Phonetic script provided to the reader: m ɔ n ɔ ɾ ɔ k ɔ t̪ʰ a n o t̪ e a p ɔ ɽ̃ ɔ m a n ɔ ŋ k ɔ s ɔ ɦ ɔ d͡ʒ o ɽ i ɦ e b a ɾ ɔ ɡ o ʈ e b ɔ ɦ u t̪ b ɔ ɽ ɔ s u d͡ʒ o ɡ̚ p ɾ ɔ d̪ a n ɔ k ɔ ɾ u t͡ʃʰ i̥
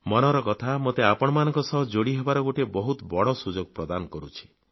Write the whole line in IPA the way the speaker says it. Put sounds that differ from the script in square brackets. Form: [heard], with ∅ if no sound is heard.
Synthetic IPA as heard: m ɔ n ɔ ɾ ɔ k ɔ t̪ʰ a [m] o t̪ e a p ɔ ɽ̃ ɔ m a n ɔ ŋ k ɔ s ɔ ɦ ɔ d͡ʒ o ɽ i ɦ e b a ɾ ɔ ɡ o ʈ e b ɔ ɦ u t̪ b ɔ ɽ ɔ s u d͡ʒ o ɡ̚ p ɾ ɔ d̪ a n ɔ k ɔ ɾ u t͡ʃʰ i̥